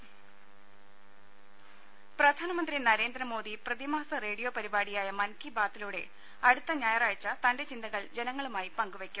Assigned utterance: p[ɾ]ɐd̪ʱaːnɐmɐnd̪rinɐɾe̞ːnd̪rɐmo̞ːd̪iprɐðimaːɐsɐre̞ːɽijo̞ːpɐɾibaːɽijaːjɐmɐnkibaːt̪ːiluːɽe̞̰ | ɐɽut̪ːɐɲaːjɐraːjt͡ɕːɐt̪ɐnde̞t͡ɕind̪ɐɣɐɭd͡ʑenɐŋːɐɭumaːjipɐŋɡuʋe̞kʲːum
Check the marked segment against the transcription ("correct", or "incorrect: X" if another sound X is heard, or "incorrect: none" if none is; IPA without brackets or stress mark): incorrect: r